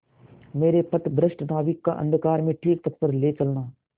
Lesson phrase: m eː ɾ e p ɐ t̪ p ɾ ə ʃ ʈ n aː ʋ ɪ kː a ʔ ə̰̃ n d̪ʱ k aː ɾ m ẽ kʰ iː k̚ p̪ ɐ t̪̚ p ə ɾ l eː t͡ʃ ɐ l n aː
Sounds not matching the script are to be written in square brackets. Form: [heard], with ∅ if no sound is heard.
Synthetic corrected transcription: m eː ɾ e p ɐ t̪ [b] ɾ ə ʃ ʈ n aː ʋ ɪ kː a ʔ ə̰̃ n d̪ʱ k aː ɾ m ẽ [ʈʰ] iː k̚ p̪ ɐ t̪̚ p ə ɾ l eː t͡ʃ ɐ l n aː